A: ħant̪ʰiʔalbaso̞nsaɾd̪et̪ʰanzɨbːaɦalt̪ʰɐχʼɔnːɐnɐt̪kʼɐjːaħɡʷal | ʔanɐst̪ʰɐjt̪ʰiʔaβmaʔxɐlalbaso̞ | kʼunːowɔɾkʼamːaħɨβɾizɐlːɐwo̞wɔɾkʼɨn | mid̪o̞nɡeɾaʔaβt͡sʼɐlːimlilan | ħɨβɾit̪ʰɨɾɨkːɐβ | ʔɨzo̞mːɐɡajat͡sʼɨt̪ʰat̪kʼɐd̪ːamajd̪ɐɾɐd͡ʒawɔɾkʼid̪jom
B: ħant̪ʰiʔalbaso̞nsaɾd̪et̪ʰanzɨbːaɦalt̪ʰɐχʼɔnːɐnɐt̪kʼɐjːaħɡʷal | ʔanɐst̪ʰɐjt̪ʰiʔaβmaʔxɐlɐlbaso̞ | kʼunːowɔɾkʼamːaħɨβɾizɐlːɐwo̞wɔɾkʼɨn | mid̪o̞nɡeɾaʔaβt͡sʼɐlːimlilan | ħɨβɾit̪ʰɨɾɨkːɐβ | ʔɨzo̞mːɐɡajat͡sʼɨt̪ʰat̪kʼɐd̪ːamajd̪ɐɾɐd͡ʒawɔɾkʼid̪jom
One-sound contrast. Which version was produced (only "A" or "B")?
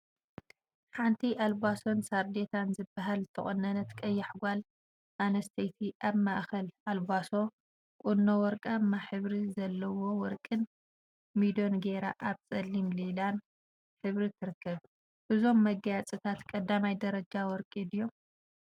A